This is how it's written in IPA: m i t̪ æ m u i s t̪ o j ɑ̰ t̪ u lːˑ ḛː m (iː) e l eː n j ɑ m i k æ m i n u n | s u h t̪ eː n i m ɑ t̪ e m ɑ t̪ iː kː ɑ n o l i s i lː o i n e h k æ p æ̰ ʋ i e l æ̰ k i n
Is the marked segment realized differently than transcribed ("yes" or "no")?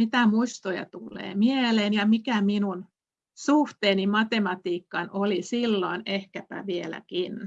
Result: yes